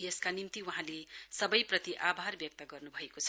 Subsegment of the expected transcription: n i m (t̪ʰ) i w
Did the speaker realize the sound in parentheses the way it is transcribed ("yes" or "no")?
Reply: no